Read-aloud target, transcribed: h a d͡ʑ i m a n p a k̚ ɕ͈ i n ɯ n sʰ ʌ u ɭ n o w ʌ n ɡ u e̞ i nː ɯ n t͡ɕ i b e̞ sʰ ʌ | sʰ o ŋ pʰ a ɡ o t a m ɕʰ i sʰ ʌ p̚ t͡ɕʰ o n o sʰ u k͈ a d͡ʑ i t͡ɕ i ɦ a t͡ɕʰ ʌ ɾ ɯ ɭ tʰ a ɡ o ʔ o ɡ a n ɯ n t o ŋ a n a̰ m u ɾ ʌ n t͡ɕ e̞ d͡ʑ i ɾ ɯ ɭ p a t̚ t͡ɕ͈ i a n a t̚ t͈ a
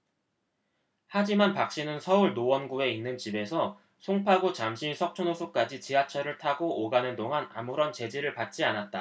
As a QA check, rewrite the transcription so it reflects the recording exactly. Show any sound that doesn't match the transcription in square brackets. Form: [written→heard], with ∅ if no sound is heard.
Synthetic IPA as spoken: h a d͡ʑ i m a n p a k̚ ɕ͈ i n ɯ n sʰ ʌ u ɭ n o w ʌ n ɡ u e̞ i nː ɯ n t͡ɕ i b e̞ sʰ ʌ | sʰ o ŋ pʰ a ɡ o [t→t͡ɕ] a m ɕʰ i sʰ ʌ [p̚→k̚] t͡ɕʰ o n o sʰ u k͈ a d͡ʑ i t͡ɕ i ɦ a t͡ɕʰ ʌ ɾ ɯ ɭ tʰ a ɡ o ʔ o ɡ a n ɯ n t o ŋ a n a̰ m u ɾ ʌ n t͡ɕ e̞ d͡ʑ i ɾ ɯ ɭ p a t̚ t͡ɕ͈ i a n a t̚ t͈ a